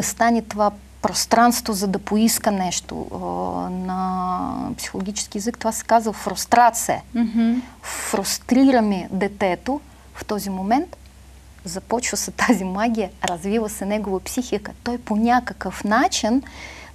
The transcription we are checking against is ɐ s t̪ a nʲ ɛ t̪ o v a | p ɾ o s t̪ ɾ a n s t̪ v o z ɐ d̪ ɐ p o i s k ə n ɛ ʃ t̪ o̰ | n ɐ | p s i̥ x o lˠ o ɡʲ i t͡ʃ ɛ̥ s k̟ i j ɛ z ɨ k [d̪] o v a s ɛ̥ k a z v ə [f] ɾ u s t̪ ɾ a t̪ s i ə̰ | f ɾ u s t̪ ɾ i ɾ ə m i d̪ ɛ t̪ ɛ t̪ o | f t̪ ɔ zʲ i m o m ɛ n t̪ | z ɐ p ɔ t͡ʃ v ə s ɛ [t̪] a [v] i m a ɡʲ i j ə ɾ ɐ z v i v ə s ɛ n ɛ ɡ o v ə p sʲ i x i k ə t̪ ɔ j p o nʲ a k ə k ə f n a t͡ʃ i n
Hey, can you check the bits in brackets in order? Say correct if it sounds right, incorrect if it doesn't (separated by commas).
incorrect, correct, correct, incorrect